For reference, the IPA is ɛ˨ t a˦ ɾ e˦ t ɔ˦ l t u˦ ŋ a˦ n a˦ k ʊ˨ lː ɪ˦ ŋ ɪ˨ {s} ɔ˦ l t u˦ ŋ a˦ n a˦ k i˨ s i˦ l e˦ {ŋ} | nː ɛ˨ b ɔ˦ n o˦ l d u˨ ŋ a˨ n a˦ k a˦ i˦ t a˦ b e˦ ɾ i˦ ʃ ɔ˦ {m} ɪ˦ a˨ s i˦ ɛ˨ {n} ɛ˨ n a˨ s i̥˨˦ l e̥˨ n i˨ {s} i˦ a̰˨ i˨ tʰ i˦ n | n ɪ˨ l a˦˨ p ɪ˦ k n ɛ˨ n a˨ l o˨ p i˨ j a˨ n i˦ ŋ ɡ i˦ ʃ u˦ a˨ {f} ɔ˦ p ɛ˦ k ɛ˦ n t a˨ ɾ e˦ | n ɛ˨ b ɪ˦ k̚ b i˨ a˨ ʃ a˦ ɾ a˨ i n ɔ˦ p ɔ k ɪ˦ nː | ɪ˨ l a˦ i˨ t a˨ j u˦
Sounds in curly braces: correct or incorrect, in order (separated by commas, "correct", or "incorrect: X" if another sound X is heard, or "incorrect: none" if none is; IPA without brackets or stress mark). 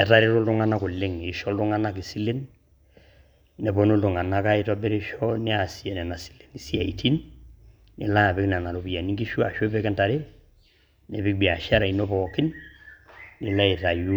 incorrect: ʃ, incorrect: n, incorrect: n, correct, correct, incorrect: ʃ